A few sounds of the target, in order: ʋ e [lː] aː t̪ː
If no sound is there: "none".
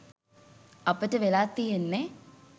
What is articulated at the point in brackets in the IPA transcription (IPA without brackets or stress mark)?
l